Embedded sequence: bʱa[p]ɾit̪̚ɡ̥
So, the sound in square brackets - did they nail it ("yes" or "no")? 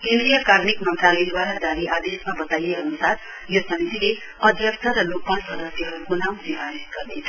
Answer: no